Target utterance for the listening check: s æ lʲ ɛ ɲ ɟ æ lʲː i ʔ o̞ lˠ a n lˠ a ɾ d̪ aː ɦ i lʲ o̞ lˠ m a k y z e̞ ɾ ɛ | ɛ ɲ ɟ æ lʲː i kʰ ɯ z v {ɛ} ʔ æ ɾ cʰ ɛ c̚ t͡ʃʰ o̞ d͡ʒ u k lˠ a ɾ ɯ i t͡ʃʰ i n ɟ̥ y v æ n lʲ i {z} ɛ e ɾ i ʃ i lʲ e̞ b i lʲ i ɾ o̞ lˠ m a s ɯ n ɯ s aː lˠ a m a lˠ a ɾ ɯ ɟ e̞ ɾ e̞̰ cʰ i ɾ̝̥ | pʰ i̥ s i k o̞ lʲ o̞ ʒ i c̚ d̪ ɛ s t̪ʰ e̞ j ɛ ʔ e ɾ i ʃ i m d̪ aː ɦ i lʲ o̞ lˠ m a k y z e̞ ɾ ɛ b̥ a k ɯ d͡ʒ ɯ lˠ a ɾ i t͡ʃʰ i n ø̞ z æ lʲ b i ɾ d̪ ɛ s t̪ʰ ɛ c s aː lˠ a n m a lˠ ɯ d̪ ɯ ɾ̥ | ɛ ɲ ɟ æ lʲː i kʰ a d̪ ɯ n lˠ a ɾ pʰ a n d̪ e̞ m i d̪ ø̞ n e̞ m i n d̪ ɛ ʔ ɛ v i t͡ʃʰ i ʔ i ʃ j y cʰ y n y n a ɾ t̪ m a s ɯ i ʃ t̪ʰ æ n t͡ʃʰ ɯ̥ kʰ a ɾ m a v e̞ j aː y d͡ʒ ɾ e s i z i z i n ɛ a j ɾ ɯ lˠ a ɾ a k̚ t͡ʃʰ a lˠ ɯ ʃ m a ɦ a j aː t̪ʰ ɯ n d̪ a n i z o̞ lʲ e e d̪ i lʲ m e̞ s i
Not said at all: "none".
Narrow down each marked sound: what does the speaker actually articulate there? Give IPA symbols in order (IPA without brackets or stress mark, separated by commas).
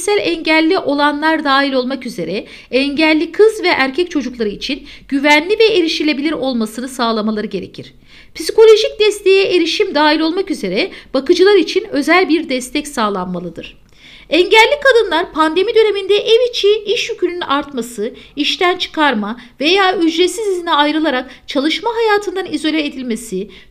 ɛ, v